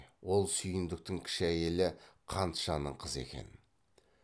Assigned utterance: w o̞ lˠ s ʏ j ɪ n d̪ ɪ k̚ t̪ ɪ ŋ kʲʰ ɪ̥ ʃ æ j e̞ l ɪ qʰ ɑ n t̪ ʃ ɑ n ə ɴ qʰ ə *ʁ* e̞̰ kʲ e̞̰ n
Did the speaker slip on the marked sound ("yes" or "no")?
yes